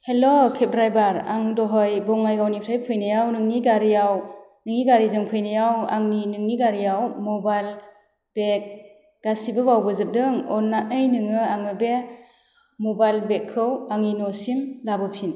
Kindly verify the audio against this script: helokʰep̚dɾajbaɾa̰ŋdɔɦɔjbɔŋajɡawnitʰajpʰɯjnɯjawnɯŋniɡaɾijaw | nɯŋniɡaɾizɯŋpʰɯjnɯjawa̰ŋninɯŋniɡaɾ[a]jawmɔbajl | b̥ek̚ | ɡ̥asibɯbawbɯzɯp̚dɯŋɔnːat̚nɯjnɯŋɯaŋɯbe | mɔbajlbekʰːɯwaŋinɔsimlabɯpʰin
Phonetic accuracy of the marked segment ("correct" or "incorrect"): incorrect